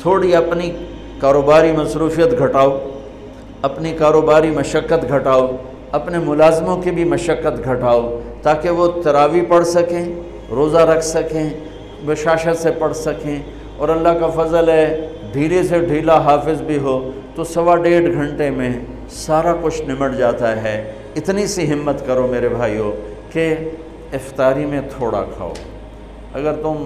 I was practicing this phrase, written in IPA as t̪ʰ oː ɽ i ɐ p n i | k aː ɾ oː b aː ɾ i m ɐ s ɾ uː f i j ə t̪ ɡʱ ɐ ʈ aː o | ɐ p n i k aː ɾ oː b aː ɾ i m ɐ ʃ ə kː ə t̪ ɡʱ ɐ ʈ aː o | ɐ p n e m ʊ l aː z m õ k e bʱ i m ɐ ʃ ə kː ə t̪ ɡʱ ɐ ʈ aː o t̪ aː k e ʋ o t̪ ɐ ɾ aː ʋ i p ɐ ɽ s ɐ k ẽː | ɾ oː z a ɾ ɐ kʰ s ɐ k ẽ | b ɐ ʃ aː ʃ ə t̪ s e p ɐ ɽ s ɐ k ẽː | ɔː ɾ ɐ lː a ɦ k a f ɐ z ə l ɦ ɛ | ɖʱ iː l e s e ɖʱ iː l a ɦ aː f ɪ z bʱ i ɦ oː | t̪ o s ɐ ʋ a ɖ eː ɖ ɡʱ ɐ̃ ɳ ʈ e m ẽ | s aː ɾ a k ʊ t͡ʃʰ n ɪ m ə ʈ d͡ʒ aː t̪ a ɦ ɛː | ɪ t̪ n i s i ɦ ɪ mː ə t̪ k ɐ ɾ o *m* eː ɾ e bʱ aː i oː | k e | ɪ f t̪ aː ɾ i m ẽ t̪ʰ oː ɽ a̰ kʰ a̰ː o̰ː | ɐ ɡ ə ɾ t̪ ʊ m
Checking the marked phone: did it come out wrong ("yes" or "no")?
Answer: no